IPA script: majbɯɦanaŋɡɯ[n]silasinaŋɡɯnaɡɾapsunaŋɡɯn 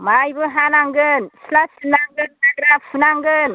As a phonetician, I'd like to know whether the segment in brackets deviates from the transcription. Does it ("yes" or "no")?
no